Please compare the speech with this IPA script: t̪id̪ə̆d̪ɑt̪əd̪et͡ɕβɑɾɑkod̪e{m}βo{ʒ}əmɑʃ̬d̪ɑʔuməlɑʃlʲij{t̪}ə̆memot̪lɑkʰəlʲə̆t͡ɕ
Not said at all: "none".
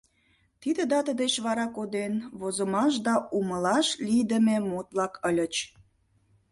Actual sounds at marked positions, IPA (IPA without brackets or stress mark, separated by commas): n, z, d̪